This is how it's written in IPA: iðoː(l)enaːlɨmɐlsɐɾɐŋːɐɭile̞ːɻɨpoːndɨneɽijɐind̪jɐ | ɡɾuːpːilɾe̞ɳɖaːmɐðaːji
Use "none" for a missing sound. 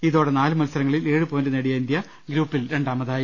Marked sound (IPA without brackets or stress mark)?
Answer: ɽ